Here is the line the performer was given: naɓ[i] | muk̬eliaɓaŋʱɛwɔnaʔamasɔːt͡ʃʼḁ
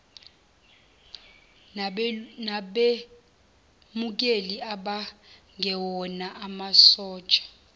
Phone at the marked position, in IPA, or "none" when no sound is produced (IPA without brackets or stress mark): e